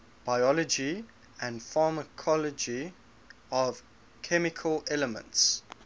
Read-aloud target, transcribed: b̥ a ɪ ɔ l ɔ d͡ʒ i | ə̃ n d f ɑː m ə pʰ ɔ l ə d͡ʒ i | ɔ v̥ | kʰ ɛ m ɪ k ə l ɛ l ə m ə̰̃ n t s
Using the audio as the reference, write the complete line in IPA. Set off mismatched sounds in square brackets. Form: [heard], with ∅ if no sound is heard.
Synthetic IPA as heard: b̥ a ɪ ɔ l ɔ d͡ʒ i | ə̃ n d f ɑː m ə [kʰ] ɔ l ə d͡ʒ i | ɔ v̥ | kʰ ɛ m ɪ [kʰ] ə l ɛ l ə m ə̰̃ n t s

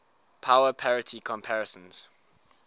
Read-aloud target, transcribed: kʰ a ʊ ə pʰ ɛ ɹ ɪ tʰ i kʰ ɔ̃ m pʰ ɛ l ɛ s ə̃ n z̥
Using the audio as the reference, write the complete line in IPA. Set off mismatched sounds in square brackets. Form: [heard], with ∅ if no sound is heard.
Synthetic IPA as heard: [pʰ] a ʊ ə pʰ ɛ ɹ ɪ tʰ i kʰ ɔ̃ m pʰ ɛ [ɹ] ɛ s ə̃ n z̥

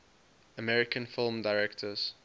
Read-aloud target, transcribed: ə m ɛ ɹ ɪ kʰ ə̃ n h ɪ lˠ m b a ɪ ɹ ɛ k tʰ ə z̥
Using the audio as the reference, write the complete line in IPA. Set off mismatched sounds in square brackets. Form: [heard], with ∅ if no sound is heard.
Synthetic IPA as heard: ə m ɛ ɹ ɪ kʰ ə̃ n [f] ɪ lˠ m [d] a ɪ ɹ ɛ k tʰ ə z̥

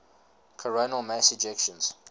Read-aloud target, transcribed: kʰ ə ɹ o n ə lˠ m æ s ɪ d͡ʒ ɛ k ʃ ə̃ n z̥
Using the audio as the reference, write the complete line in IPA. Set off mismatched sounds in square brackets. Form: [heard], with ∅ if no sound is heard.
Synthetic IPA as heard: kʰ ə ɹ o n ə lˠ m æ s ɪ d͡ʒ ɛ k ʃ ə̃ n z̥

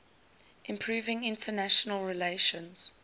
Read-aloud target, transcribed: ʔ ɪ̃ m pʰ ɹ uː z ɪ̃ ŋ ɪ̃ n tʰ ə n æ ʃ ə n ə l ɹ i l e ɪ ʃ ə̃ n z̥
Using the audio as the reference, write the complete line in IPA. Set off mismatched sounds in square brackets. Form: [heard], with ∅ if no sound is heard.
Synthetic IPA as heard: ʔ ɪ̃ m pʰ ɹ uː [v] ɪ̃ ŋ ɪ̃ n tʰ ə n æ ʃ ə n ə l ɹ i l e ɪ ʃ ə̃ n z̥

